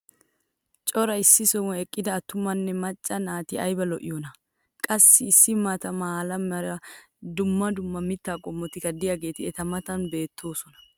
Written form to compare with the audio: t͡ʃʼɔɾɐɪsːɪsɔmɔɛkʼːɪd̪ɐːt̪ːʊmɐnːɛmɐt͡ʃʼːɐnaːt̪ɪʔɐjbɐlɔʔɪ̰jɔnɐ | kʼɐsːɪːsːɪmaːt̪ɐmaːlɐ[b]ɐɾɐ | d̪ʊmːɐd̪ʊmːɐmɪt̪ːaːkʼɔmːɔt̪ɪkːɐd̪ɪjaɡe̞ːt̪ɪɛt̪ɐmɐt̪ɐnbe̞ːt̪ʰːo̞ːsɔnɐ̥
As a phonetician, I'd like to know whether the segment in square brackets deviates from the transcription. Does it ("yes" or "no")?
yes